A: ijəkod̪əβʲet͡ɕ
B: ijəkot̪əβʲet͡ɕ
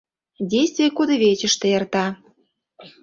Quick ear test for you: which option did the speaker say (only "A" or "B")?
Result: A